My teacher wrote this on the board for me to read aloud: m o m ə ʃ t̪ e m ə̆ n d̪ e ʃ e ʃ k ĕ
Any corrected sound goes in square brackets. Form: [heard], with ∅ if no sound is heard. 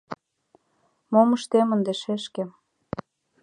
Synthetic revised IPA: m o m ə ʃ t̪ e m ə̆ n d̪ e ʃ e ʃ k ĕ